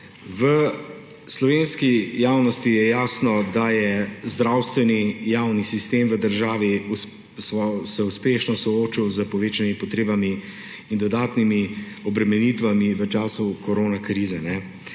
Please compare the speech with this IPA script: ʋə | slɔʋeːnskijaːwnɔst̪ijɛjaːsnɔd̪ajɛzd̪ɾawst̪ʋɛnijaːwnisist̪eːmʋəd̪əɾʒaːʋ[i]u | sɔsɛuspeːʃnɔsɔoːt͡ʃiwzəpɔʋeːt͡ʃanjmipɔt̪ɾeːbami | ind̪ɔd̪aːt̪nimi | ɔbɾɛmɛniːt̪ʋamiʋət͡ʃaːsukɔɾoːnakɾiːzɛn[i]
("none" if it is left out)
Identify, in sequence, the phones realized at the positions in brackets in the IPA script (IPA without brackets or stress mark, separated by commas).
i, ɛ